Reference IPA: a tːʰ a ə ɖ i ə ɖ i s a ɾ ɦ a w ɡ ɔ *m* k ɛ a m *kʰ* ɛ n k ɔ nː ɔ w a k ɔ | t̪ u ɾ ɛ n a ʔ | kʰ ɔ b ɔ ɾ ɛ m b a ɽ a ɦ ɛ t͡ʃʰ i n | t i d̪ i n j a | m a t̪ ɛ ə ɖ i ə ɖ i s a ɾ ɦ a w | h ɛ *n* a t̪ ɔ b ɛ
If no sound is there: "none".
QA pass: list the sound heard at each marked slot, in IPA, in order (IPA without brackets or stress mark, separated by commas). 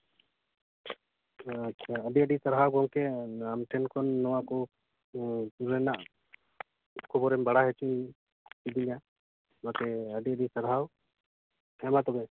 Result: ŋ, ʈʰ, m